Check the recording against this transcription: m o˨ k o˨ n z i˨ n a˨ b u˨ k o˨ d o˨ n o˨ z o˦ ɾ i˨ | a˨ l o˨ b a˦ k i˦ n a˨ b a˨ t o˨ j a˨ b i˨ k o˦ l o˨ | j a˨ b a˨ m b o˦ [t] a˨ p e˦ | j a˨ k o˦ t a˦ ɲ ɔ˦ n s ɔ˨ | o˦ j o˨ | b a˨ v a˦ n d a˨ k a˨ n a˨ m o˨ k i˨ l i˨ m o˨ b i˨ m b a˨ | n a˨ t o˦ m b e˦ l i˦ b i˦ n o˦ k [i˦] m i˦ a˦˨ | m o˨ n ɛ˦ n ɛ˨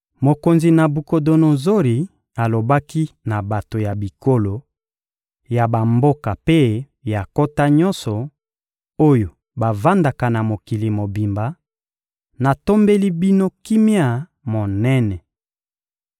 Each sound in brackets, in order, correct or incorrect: incorrect, correct

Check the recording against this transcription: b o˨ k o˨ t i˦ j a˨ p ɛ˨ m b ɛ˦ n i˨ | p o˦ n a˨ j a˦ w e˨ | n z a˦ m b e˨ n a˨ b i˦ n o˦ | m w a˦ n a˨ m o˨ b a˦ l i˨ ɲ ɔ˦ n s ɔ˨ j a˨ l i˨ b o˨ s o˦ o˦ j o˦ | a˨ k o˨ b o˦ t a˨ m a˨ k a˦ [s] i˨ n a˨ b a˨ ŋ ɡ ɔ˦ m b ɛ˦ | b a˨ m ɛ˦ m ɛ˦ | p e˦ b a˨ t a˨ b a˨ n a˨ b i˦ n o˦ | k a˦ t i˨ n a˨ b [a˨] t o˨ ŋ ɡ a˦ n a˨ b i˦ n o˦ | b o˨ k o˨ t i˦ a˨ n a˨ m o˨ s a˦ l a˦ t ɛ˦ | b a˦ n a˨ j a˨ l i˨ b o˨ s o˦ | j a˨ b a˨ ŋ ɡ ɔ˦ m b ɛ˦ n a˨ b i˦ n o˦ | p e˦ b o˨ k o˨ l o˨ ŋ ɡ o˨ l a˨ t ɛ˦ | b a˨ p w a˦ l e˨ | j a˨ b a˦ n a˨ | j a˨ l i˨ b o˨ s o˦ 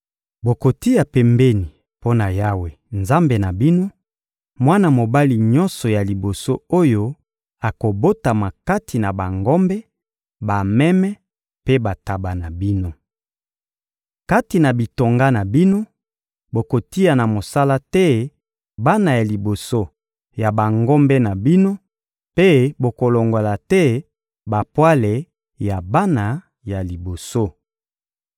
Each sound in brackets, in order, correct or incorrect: incorrect, incorrect

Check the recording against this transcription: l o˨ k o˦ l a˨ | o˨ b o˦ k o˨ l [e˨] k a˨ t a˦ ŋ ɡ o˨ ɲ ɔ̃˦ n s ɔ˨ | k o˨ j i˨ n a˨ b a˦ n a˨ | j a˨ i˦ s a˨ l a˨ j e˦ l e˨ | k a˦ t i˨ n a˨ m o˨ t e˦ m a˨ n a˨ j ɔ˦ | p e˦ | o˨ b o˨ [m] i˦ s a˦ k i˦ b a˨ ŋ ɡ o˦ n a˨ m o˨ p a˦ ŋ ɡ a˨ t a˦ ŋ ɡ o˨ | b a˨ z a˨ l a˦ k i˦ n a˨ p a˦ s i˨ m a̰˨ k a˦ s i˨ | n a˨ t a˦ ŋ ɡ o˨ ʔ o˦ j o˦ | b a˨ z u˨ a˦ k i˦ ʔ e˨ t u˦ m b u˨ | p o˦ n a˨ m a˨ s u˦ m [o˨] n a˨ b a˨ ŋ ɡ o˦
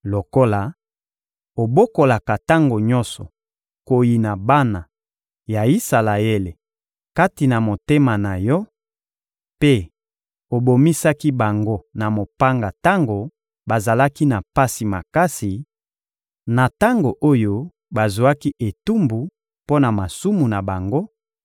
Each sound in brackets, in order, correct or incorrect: incorrect, correct, incorrect

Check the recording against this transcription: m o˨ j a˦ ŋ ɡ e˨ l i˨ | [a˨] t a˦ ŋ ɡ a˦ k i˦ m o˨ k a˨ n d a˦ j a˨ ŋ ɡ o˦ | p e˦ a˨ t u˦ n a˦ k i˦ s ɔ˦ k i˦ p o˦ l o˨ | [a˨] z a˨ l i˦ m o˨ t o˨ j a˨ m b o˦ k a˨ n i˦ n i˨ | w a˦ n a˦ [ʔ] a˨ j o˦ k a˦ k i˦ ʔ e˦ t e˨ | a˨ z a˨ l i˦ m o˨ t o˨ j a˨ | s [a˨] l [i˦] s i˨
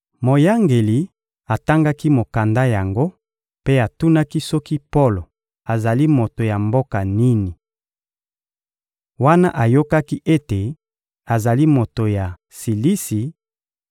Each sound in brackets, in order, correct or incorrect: correct, correct, correct, incorrect, correct

